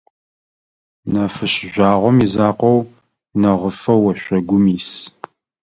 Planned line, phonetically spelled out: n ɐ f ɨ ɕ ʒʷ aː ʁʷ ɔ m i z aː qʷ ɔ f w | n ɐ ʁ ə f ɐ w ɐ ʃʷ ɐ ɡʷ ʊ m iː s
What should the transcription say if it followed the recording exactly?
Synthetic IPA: n ɐ f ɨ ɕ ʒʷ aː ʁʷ ɔ m i z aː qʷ ɔ w | n ɐ ʁ ə f ɐ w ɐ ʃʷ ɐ ɡʷ ʊ m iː s